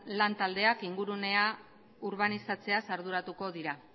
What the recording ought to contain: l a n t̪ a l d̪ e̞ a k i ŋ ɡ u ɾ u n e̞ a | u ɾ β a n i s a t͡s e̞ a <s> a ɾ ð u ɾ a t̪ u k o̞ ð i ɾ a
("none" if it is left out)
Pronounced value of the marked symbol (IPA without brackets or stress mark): s